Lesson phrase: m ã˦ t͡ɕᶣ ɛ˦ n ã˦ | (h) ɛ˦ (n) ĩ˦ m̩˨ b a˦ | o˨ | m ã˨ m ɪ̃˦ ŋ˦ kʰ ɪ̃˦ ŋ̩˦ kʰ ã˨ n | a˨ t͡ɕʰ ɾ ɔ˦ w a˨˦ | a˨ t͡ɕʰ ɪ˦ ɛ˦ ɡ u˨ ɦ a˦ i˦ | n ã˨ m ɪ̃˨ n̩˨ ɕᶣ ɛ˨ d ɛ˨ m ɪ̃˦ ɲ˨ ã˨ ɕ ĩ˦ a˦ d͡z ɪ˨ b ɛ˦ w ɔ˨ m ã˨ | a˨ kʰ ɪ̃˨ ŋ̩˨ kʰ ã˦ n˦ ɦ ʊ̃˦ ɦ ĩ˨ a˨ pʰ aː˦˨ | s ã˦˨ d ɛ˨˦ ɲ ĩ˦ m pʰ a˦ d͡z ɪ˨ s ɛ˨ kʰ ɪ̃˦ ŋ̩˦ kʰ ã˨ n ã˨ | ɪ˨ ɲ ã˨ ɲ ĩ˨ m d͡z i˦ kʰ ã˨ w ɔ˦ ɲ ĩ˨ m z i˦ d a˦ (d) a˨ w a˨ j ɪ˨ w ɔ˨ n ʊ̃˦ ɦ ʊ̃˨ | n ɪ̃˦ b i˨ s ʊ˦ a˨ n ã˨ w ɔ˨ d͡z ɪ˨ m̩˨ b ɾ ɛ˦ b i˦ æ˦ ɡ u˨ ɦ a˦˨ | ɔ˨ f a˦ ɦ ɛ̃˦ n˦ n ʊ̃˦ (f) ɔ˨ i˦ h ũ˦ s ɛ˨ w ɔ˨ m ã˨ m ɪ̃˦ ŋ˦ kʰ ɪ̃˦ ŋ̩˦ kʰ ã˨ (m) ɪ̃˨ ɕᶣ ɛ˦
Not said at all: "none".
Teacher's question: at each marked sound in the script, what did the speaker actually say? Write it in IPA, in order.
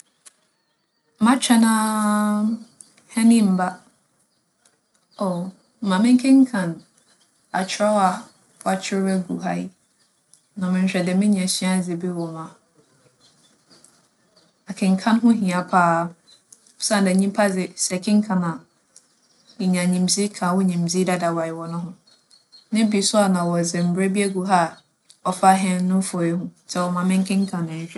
h, n, d, f, n

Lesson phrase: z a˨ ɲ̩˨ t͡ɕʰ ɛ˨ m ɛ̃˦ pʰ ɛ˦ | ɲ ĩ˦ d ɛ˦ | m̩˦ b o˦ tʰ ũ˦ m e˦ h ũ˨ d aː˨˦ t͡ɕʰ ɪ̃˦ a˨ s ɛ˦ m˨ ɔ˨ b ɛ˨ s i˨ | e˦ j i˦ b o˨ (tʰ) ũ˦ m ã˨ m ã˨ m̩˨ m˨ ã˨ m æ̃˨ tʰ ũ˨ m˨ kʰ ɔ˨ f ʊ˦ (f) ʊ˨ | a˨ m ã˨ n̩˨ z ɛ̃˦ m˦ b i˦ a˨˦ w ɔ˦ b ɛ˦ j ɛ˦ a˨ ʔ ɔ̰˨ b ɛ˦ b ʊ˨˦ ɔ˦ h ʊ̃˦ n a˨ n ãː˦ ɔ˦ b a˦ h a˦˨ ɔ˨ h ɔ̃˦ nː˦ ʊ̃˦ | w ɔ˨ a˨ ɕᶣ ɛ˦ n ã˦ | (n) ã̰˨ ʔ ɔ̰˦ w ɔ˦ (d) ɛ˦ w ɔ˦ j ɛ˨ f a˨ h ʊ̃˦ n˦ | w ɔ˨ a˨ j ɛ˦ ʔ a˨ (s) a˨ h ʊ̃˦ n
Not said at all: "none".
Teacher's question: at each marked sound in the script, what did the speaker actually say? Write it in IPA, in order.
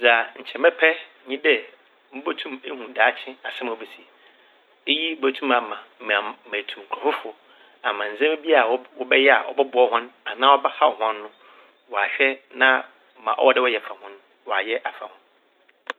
tʰ, f, m, d, f

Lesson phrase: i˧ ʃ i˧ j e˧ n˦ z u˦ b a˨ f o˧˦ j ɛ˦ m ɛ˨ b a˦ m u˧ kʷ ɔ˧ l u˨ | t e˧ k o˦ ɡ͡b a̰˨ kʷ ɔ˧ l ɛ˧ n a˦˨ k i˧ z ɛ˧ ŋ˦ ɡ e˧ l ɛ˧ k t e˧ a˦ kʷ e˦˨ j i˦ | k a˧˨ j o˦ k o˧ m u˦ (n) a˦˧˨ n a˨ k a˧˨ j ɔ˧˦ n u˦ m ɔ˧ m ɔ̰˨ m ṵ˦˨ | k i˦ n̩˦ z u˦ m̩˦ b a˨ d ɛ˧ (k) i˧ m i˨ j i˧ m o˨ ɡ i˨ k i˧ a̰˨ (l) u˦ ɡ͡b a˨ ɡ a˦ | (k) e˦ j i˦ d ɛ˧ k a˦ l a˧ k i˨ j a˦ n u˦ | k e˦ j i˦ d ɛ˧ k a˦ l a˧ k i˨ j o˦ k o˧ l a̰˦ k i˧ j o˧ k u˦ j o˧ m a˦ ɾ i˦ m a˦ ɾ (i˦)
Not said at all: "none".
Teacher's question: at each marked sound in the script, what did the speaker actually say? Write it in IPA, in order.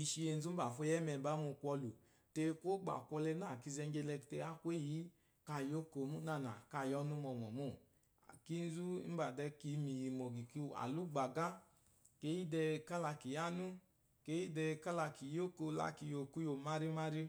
n, k, l, k, i˦

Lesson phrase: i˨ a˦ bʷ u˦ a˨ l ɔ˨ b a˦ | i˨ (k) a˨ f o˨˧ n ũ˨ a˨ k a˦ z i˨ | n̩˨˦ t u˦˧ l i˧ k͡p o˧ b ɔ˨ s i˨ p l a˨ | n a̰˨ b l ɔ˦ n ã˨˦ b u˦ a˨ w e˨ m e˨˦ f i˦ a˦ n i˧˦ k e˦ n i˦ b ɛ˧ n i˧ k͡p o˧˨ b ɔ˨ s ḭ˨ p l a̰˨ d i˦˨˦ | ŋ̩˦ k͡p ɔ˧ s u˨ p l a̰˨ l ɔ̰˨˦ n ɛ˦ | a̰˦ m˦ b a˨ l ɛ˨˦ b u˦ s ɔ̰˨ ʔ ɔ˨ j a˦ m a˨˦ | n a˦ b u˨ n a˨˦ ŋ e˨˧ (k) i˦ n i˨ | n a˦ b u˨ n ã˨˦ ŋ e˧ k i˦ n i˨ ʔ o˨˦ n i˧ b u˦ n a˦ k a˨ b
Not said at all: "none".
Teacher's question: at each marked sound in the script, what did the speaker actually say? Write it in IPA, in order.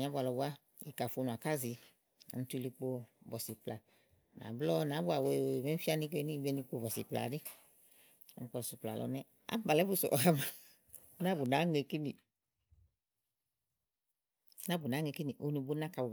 k, k

